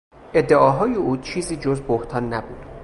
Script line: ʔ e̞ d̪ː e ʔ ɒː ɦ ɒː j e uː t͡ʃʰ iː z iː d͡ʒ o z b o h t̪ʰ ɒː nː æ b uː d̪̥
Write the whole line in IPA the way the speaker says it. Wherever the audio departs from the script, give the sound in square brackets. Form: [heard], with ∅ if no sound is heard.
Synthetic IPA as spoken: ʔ e̞ d̪ː e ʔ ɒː ɦ ɒː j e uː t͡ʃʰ iː z iː d͡ʒ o z b o h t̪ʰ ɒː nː æ b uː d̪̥